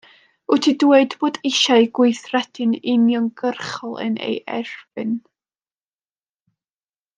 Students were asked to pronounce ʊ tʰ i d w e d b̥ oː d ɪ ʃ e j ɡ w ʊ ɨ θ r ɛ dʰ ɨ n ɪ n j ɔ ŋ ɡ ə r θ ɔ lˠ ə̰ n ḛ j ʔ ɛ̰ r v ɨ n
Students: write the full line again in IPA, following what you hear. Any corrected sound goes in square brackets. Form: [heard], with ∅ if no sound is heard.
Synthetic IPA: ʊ tʰ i d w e d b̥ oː d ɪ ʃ [a] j ɡ w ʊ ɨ θ r ɛ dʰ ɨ n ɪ n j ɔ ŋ ɡ ə r [χ] ɔ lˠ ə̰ n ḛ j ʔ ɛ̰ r v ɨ n